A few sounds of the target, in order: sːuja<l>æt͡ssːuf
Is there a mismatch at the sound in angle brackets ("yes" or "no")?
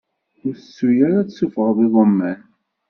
yes